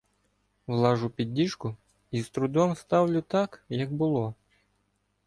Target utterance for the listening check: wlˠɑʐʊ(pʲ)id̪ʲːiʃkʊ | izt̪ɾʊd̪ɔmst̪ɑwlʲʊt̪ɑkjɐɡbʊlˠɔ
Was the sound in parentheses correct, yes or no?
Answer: yes